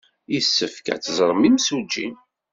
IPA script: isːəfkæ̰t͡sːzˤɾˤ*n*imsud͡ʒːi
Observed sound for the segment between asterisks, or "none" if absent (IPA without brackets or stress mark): m